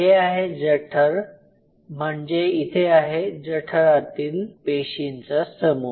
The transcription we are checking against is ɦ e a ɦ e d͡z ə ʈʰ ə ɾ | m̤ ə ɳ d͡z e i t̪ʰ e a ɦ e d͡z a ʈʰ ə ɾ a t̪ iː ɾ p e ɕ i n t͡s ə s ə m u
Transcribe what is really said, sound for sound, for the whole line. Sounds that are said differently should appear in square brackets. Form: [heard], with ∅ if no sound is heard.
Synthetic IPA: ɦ e a ɦ e d͡z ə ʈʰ ə ɾ | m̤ ə ɳ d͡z e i t̪ʰ e a ɦ e d͡z [ə] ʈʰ ə ɾ a t̪ iː [l] p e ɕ i n t͡s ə s ə m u